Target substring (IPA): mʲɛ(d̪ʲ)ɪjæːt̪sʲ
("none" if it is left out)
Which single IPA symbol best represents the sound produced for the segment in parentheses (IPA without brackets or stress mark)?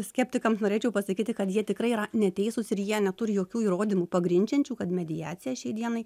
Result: d̪ʲ